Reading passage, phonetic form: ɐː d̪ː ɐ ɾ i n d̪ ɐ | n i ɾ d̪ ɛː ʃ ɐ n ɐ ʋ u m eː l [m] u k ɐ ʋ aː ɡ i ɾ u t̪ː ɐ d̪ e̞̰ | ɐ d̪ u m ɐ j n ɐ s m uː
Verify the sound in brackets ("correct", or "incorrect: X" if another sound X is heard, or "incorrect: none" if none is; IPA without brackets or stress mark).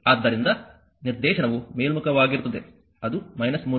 correct